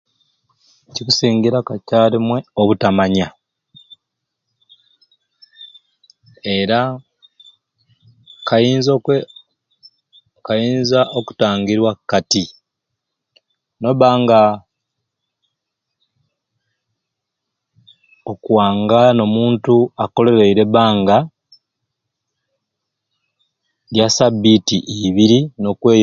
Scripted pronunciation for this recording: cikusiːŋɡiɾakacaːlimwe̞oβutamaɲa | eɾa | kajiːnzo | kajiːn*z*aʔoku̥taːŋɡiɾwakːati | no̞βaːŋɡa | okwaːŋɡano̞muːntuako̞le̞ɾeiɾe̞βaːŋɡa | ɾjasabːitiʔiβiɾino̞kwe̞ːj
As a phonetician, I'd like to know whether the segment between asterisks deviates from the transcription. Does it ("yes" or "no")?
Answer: no